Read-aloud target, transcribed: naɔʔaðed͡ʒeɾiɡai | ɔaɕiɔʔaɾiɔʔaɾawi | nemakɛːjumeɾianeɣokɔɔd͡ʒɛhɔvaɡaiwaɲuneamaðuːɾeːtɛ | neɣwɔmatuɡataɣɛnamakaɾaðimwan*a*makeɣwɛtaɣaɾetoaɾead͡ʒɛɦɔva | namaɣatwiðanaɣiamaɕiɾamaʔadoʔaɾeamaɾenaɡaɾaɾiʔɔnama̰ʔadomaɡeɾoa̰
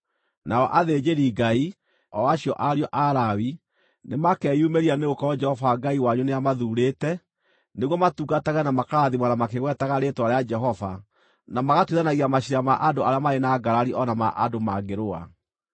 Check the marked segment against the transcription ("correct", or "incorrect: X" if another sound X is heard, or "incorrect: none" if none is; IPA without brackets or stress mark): correct